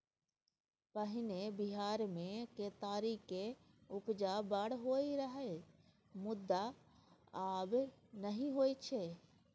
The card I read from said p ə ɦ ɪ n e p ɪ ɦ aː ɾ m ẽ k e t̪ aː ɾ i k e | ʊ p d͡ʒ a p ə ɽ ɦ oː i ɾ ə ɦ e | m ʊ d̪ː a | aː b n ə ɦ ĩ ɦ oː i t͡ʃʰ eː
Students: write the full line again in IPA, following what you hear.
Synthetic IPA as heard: p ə ɦ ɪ n e b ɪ ɦ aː ɾ m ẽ k e t̪ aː ɾ i k e | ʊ p d͡ʒ a b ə ɽ ɦ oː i ɾ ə ɦ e | m ʊ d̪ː a | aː b n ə ɦ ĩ ɦ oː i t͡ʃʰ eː

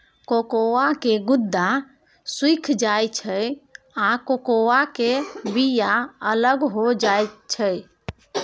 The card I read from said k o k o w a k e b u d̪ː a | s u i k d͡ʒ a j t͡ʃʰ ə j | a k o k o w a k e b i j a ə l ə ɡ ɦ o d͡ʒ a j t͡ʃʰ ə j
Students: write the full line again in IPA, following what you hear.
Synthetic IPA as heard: k o k o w a k e ɡ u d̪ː a | s w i kʰ d͡ʒ a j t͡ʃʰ ə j | a k o k o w a k e b i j a ə l ə ɡ ɦ o d͡ʒ a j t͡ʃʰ ə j

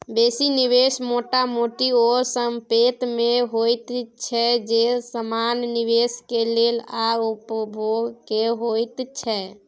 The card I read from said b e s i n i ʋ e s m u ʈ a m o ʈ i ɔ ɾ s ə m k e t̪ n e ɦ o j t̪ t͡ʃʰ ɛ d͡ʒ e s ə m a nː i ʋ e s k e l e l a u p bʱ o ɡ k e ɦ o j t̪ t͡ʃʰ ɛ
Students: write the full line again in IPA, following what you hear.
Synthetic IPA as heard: b e s i n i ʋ e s m o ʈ a m o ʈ i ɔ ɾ s ə m p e t̪ m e ɦ o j t̪ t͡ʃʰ ɛ d͡ʒ e s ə m a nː i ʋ e s k e l e l a u p bʱ o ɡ k e ɦ o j t̪ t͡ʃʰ ɛ

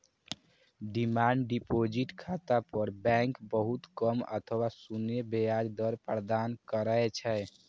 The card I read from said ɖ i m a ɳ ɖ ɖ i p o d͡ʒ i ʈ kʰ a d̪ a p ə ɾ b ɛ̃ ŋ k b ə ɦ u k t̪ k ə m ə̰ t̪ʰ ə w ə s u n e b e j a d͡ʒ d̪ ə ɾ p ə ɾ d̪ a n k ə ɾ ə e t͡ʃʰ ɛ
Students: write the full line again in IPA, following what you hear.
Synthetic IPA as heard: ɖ i m a ɳ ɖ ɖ i p o d͡ʒ i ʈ kʰ a t̪ a p ə ɾ b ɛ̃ ŋ k b ə ɦ u t̪ k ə m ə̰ t̪ʰ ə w a s u n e b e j a d͡ʒ d̪ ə ɾ p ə ɾ d̪ a n k ə ɾ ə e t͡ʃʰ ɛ

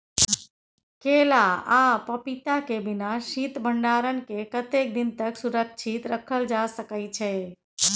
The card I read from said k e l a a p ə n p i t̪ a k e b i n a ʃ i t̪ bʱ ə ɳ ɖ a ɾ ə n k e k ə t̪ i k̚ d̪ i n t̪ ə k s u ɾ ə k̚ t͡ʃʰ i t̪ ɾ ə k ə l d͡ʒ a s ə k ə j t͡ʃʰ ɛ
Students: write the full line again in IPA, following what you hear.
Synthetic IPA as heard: k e l a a p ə p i t̪ a k e b i n a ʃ i t̪ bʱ ə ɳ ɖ a ɾ ə n k e k ə t̪ e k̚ d̪ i n t̪ ə k s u ɾ ə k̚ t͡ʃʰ i t̪ ɾ ə kʰ ə l d͡ʒ a s ə k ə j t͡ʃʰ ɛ

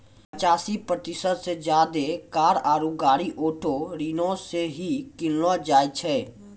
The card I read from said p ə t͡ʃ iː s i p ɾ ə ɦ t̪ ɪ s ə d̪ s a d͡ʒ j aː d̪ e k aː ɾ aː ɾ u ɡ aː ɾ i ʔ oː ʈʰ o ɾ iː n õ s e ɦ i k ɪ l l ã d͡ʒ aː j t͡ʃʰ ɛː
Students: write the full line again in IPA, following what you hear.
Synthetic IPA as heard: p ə t͡ʃ aː s i p ɾ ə t̪ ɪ s ə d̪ s e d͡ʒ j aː d̪ e k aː ɾ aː ɾ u ɡ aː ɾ i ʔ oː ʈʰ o ɾ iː n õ s e ɦ i k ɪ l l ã d͡ʒ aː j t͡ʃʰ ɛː

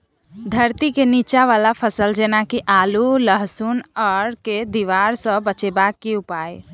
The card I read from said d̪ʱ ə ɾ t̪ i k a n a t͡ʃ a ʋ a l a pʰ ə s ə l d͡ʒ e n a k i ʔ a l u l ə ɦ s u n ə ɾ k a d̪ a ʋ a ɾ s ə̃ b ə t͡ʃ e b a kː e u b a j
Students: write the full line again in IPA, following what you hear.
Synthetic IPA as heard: d̪ʱ ə ɾ t̪ i k e n i t͡ʃ a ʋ a l a pʰ ə s ə l d͡ʒ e n a k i ʔ a l u l ə ɦ s u n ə ɾ k e d̪ i ʋ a ɾ s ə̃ b ə t͡ʃ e b a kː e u p a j

